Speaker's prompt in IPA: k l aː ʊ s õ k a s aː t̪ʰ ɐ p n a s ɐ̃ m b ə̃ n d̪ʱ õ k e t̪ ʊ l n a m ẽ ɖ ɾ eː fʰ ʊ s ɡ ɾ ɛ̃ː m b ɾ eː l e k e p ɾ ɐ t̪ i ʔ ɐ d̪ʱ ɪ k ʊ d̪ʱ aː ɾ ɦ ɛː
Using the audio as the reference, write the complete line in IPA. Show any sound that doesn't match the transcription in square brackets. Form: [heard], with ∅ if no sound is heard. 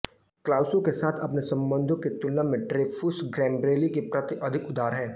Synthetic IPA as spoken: k l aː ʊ s õ k [e] s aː t̪ʰ ɐ p n [e] s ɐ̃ m b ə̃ n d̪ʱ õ k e t̪ ʊ l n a m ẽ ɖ ɾ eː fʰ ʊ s ɡ ɾ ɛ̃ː m b ɾ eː l [i] k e p ɾ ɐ t̪ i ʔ ɐ d̪ʱ ɪ k ʊ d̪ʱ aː ɾ ɦ ɛː